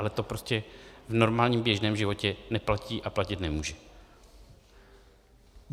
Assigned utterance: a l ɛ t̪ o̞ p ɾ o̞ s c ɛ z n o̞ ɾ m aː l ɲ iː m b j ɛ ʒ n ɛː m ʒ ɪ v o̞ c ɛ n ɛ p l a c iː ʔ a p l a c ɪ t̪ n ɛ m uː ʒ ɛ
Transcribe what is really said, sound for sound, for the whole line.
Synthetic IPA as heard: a l ɛ t̪ o̞ p ɾ o̞ s c ɛ v n o̞ ɾ m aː l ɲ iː m b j ɛ ʒ n ɛː m ʒ ɪ v o̞ c ɛ n ɛ p l a c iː ʔ a p l a c ɪ t̪ n ɛ m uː ʒ ɛ